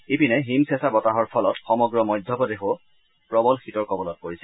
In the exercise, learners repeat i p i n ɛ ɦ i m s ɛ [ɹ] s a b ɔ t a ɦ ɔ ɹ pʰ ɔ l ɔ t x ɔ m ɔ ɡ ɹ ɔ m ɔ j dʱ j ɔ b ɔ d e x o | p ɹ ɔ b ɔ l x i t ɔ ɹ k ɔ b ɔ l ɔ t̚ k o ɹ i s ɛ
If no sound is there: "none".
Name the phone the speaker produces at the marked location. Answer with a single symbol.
none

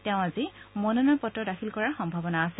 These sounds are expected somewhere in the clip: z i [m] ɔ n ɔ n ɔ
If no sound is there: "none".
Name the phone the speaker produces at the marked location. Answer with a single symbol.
m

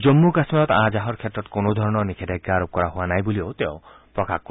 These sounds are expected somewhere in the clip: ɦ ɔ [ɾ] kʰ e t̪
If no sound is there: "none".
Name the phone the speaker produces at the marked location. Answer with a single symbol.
ɾ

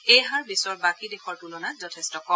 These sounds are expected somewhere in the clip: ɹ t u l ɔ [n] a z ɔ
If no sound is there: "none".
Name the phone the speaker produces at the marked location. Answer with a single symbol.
n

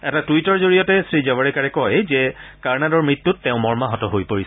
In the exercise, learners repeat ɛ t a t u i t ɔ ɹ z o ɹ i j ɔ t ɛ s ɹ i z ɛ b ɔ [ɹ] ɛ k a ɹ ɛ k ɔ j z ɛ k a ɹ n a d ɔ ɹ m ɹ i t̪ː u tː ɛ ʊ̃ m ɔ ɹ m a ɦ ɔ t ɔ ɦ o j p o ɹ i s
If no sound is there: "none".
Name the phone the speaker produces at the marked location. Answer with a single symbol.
ɹ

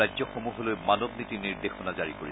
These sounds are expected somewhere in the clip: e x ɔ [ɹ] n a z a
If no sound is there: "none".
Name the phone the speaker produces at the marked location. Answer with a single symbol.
none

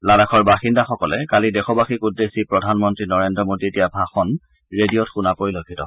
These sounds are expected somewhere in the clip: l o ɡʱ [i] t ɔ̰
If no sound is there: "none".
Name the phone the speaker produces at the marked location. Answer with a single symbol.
i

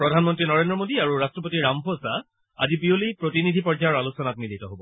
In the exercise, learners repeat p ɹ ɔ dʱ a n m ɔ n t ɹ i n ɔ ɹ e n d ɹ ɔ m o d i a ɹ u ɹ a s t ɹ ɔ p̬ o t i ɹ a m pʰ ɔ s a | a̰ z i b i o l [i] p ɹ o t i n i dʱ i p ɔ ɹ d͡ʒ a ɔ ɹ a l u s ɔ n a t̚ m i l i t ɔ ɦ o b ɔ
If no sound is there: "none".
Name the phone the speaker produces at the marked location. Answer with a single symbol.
i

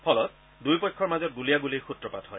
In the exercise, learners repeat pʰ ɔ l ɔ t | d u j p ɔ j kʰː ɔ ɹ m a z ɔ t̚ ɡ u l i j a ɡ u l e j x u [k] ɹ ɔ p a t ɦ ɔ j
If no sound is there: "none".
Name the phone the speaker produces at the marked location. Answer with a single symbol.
t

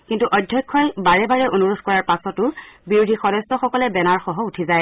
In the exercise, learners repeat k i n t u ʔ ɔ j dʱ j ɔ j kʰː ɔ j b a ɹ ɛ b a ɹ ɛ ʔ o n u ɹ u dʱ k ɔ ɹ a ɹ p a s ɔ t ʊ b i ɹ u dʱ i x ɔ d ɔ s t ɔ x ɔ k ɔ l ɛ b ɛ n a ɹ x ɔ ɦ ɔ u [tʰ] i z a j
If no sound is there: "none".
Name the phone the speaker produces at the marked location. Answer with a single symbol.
tʰ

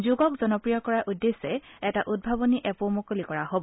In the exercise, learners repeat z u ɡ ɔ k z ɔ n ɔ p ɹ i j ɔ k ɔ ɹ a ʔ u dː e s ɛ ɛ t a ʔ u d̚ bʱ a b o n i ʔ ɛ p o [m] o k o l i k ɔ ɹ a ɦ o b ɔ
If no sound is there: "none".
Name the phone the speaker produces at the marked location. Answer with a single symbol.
m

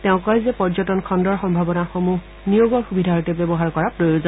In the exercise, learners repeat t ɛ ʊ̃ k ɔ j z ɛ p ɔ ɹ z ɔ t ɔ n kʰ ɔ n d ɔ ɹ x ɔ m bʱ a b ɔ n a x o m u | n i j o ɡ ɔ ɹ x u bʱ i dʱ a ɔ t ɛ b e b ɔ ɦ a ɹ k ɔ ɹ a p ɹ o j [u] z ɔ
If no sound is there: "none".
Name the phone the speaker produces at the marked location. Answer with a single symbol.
o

